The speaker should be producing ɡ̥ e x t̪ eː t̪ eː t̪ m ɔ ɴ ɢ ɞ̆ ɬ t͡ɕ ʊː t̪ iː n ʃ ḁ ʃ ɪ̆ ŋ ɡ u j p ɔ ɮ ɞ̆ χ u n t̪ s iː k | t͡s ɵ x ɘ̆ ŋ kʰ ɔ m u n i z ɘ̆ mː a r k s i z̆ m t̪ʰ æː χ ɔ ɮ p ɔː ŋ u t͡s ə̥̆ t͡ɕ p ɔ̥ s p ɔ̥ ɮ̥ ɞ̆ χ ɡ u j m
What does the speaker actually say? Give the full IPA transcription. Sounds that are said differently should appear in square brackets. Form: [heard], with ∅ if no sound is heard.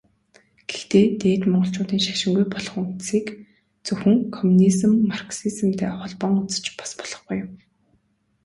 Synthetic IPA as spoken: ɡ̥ e x t̪ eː t̪ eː t̪ m ɔ ɴ ɢ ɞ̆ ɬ t͡ɕ ʊː t̪ iː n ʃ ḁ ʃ ɪ̆ ŋ ɡ u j p ɔ ɮ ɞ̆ χ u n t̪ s iː k | t͡s ɵ x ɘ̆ ŋ kʰ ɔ m u n i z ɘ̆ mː a r k s i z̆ m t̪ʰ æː χ ɔ ɮ p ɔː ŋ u t͡s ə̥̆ t͡ɕ p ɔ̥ s p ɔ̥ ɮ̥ ɞ̆ χ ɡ u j m